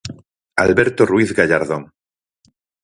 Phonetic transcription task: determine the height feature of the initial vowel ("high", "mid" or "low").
low